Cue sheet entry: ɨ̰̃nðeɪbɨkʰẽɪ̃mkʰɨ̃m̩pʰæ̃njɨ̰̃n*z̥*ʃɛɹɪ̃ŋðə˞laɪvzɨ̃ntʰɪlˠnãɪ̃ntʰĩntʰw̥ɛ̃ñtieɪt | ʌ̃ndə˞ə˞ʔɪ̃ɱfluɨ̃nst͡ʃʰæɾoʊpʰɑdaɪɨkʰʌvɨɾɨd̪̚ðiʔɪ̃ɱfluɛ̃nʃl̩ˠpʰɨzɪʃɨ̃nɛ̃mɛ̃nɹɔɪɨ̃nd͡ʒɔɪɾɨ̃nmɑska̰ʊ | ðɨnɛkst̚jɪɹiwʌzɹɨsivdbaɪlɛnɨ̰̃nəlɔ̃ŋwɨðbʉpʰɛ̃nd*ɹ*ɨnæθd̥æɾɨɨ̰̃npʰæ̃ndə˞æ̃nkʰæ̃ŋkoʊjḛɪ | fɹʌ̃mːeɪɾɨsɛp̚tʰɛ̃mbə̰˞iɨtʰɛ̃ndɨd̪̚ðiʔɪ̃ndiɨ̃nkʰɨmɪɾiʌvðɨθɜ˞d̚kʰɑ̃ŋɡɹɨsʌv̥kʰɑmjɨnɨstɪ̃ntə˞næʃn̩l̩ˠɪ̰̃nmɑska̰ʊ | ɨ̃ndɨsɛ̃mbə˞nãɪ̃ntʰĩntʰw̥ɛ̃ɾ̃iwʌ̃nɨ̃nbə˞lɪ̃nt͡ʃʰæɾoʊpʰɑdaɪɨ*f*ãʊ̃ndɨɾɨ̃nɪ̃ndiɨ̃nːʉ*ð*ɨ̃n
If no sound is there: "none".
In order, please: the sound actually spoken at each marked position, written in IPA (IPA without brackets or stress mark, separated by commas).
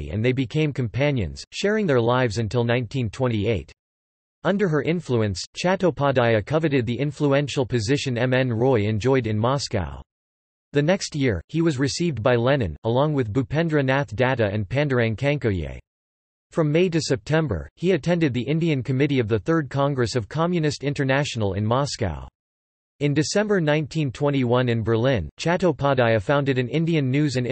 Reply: z̥, ɹ, f, z